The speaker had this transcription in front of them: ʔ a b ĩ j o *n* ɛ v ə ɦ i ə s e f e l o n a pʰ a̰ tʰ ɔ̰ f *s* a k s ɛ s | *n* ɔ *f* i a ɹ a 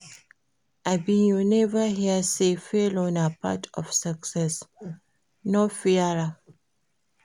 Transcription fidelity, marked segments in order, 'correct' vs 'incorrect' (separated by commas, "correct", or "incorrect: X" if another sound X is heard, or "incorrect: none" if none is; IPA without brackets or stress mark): correct, correct, correct, correct